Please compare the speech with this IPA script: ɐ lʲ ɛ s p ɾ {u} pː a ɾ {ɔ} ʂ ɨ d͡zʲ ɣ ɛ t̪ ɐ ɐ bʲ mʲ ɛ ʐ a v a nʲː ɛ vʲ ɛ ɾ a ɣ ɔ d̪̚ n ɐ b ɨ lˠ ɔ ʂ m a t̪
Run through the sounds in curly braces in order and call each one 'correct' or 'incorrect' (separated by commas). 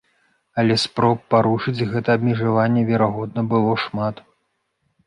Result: incorrect, incorrect